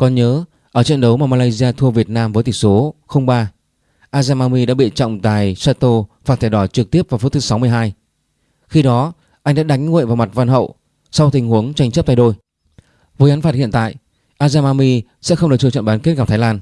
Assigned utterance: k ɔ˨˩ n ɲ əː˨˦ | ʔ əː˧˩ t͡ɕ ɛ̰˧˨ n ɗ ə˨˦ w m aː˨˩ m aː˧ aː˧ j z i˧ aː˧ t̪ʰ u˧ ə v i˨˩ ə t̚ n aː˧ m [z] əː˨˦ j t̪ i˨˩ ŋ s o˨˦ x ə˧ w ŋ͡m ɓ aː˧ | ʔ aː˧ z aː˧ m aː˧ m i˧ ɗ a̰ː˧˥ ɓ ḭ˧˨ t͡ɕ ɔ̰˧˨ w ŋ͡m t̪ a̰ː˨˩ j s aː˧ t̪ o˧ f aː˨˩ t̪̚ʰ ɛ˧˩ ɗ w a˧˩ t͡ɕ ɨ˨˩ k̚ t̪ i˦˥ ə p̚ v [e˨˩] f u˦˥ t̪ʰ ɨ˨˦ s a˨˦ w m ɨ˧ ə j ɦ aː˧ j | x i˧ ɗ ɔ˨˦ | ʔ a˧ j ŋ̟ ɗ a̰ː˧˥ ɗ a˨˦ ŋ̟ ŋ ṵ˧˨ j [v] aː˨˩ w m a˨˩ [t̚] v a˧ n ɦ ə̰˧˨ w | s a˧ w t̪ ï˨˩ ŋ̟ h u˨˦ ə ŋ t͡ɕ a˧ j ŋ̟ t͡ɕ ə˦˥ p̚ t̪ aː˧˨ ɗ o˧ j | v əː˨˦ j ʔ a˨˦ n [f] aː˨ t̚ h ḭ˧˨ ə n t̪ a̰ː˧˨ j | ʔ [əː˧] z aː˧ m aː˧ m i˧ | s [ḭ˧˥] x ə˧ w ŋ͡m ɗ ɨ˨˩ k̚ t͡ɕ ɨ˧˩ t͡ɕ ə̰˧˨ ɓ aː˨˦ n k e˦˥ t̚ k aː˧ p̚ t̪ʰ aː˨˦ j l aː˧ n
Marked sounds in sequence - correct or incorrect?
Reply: incorrect: v, incorrect: a˨˩, correct, correct, correct, incorrect: aː˧, incorrect: ɛ̰˧˥

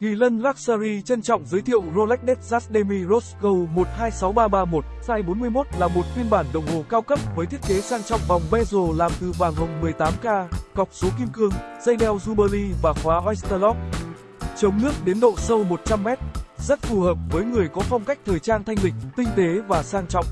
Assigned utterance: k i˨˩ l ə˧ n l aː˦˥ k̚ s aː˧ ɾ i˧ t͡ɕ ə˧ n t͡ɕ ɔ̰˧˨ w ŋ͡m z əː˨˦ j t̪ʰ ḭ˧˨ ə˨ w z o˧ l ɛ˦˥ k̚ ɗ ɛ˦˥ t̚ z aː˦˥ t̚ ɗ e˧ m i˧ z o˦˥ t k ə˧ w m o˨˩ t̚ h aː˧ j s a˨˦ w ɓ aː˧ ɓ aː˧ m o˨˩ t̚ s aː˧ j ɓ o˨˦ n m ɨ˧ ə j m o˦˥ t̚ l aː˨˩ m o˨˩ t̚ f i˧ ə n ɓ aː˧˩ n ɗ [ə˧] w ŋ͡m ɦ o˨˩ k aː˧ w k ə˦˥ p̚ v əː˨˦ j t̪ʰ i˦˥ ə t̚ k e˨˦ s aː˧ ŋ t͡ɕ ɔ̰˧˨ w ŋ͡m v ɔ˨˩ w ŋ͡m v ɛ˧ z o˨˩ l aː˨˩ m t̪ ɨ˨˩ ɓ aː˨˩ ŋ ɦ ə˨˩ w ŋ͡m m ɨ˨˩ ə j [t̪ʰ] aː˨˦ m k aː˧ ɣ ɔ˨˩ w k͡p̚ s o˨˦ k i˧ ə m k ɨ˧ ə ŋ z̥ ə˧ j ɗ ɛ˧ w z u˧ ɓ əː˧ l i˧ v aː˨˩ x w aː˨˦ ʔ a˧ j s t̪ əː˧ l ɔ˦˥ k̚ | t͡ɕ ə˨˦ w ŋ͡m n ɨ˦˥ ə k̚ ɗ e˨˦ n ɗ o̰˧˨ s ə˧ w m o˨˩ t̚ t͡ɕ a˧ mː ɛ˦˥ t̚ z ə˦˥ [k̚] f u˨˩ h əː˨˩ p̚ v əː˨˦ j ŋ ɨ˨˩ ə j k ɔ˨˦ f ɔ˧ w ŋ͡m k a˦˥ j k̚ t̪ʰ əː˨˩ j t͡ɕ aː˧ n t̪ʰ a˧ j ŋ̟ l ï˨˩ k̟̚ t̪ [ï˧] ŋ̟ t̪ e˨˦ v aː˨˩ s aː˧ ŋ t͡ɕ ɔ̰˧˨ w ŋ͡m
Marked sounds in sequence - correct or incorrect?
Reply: incorrect: ə˨˩, incorrect: t̪, incorrect: t̚, correct

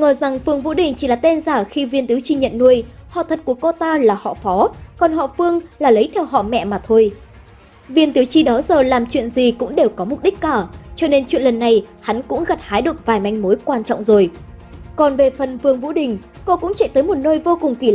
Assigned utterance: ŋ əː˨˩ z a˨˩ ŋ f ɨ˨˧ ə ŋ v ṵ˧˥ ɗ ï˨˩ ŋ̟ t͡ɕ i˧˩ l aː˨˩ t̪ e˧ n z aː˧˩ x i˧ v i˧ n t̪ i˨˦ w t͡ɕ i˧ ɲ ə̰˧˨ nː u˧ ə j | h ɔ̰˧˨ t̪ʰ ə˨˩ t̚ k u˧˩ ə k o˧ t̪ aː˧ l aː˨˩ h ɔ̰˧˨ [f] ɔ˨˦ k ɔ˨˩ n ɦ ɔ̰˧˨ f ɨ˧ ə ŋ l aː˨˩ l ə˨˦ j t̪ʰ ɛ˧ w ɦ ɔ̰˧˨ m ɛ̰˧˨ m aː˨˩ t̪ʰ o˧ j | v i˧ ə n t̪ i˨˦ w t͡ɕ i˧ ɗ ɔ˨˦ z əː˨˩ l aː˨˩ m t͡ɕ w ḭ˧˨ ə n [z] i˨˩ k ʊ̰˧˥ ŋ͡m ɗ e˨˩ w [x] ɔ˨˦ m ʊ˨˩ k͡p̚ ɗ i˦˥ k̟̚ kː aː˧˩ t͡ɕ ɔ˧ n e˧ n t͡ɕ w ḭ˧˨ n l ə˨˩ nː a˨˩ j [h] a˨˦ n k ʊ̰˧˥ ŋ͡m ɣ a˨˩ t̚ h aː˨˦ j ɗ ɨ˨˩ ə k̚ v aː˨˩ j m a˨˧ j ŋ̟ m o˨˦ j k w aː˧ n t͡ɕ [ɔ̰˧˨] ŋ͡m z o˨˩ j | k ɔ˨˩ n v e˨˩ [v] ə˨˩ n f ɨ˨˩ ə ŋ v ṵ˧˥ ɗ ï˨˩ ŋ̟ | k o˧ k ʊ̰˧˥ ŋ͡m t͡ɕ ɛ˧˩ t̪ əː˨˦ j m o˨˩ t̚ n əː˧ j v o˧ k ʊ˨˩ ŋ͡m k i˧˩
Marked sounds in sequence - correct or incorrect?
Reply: correct, correct, incorrect: k, correct, correct, incorrect: f

